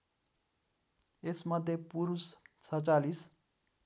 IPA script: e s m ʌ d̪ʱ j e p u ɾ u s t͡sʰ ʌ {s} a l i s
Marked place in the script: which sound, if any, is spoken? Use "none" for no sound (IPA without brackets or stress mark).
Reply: t͡s